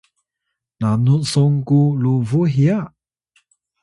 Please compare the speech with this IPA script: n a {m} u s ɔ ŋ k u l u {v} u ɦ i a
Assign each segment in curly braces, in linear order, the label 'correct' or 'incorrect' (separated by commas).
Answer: incorrect, correct